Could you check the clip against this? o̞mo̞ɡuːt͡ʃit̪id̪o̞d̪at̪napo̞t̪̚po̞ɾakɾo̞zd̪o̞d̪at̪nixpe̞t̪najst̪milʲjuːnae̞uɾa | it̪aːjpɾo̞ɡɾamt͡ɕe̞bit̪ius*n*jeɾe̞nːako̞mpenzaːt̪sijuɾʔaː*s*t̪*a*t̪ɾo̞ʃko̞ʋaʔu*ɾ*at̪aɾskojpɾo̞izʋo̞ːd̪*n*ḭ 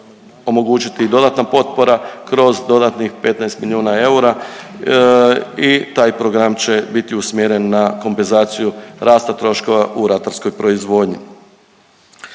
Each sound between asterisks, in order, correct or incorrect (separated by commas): incorrect, correct, correct, correct, incorrect